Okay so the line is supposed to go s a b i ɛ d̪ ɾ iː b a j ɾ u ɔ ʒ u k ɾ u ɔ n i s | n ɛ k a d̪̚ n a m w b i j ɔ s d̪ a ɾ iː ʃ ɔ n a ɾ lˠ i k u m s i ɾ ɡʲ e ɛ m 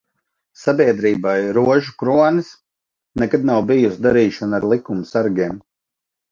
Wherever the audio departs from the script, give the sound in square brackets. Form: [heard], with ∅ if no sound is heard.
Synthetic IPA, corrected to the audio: s a b i ɛ d̪ ɾ iː b a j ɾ u ɔ ʒ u k ɾ u ɔ n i s | n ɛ k a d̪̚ n a [∅] w b i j [u] s d̪ a ɾ iː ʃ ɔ n a ɾ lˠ i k u m s [a] ɾ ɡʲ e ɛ m